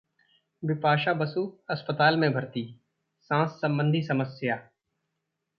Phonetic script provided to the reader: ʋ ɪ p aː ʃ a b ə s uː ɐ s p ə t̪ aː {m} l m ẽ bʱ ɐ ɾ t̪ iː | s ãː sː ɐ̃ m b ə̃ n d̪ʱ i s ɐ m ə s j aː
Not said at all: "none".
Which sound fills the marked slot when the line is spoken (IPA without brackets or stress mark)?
none